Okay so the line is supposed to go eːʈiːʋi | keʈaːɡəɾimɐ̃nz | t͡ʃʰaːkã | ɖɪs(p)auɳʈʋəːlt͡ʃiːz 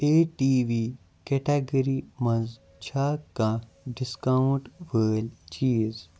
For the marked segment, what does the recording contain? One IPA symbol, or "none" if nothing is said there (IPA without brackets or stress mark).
k